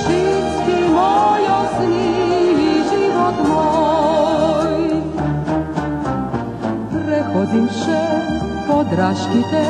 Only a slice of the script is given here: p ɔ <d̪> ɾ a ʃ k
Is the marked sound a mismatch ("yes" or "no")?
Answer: no